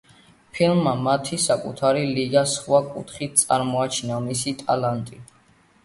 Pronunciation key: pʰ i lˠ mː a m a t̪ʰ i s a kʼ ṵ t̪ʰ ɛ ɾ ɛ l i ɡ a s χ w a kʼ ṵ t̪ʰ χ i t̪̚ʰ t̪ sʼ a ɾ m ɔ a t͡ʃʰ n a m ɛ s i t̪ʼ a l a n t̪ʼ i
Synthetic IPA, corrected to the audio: pʰ i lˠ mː a m a t̪ʰ i s a kʼ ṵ t̪ʰ a ɾ i l i ɡ a s χ w a kʼ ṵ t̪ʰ χ i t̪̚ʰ t̪ sʼ a ɾ m ɔ a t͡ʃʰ n a m i s i t̪ʼ a l a n t̪ʼ i

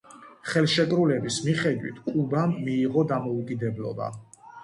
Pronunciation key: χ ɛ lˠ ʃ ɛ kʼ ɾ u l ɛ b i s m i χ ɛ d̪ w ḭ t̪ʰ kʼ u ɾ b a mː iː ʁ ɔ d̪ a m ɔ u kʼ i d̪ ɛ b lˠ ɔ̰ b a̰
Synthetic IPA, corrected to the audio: χ ɛ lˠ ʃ ɛ kʼ ɾ u l ɛ b i s m i χ ɛ d̪ w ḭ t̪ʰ kʼ u b a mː iː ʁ ɔ d̪ a m ɔ u kʼ i d̪ ɛ b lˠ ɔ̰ b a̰

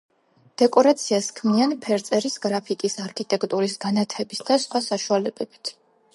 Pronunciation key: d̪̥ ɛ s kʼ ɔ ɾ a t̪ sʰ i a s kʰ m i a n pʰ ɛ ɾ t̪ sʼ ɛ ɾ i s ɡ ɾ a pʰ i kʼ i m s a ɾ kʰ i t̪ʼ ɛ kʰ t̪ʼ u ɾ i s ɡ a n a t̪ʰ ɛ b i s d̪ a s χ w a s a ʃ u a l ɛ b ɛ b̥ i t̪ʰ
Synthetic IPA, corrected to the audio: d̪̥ ɛ kʼ ɔ ɾ a t̪ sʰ i a s kʰ m i a n pʰ ɛ ɾ t̪ sʼ ɛ ɾ i s ɡ ɾ a pʰ i kʼ i s a ɾ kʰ i t̪ʼ ɛ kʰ t̪ʼ u ɾ i s ɡ a n a t̪ʰ ɛ b i s d̪ a s χ w a s a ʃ u a l ɛ b ɛ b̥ i t̪ʰ

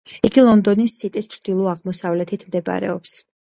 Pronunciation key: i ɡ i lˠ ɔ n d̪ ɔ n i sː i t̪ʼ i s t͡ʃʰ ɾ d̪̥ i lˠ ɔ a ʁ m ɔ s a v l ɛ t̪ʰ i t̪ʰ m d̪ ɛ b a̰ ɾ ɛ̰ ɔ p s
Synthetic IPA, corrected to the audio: i ɡ i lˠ ɔ n d̪ ɔ n i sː i t̪ʼ i s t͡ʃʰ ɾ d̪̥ i lˠ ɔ a ʁ m ɔ s a v l ɛ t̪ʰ i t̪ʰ m d̪ ɛ b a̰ ɾ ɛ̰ ɔ p s

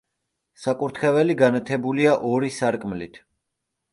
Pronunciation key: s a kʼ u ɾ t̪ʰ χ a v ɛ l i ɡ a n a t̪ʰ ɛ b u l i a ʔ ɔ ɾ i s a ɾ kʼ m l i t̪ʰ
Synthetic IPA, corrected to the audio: s a kʼ u ɾ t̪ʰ χ ɛ v ɛ l i ɡ a n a t̪ʰ ɛ b u l i a ʔ ɔ ɾ i s a ɾ kʼ m l i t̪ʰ

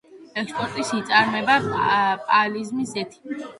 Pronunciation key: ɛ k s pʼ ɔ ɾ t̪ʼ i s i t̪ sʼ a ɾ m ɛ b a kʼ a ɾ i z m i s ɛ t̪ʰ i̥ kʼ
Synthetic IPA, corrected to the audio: ɛ k s pʼ ɔ ɾ t̪ʼ i s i t̪ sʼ a ɾ m ɛ b a pʼ a l i z m i s ɛ t̪ʰ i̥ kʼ

